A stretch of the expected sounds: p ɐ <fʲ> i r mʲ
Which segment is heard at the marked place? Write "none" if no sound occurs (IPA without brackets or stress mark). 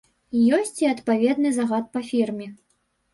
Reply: fʲ